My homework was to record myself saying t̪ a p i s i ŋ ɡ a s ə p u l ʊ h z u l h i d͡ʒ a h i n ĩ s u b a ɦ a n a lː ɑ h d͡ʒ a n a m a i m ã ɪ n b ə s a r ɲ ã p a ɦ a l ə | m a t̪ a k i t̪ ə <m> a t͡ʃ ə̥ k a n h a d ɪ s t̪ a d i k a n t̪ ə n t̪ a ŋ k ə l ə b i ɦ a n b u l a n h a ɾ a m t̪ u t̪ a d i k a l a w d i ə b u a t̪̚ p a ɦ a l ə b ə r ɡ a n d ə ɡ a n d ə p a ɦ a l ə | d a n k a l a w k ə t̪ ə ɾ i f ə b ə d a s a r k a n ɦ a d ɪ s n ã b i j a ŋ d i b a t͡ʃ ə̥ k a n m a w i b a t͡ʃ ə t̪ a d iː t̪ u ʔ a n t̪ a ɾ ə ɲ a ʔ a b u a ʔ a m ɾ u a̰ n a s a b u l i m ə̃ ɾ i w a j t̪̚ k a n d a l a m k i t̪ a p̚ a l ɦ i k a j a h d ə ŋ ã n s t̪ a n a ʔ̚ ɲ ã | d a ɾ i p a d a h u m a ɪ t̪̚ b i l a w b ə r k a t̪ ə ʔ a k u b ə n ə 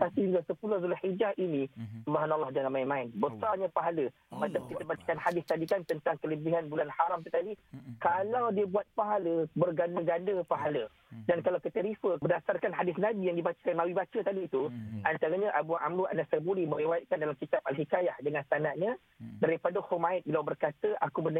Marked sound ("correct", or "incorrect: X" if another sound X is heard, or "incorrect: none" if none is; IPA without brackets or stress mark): incorrect: b